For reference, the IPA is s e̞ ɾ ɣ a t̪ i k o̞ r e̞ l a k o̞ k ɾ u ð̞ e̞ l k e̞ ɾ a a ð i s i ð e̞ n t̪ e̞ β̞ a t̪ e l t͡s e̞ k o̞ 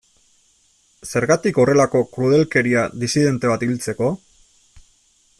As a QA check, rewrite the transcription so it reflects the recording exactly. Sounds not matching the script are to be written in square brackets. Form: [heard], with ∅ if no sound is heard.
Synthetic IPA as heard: s e̞ ɾ ɣ a t̪ i k o̞ r e̞ l a k o̞ k ɾ u ð̞ e̞ l k e̞ ɾ [i] a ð i s i ð e̞ n t̪ e̞ β̞ a t̪ [i] l t͡s e̞ k o̞